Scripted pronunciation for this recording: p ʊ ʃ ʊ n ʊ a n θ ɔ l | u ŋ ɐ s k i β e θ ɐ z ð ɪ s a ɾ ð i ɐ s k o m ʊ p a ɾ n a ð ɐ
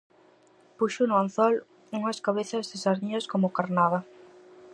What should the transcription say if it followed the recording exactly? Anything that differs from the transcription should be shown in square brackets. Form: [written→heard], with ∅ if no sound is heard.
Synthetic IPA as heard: p [ʊ→u] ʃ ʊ n ʊ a n θ ɔ l | u ŋ ɐ s k [i→a] β e θ ɐ z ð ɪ s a ɾ ð i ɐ s k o m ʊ [p→k] a ɾ n a ð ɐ